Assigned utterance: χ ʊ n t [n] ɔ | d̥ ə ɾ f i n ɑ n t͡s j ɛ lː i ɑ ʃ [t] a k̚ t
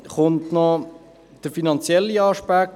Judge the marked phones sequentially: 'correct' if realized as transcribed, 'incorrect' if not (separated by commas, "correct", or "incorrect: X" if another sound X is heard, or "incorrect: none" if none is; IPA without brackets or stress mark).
correct, incorrect: p